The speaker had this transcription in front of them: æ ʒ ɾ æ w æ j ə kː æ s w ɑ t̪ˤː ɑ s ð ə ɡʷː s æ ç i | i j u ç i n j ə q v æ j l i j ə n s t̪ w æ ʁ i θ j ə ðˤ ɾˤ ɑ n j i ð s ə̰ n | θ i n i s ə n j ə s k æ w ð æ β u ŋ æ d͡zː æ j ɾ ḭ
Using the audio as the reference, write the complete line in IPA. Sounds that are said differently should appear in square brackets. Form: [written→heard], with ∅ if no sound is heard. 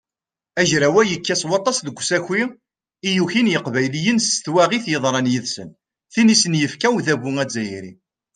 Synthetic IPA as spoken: æ ʒ ɾ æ w æ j ə kː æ s w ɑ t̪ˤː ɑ s ð ə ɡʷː s æ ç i | i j u ç i n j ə q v æ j l i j ə n s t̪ w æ ʁ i θ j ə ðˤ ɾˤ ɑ n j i ð s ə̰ n | θ i n i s ə n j ə [s→f] k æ w ð æ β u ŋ æ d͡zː æ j ɾ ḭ